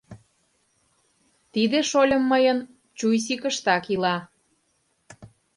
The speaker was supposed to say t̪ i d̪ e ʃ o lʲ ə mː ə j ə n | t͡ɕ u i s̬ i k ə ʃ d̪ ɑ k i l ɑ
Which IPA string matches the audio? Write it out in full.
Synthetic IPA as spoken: t̪ i d̪ e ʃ o lʲ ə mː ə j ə n | t͡ɕ u j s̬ i k ə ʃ t̪ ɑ k i l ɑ